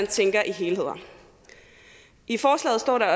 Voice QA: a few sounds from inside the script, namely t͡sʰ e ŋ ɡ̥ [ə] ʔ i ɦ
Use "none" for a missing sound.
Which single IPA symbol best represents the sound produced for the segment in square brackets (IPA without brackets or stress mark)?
ɐ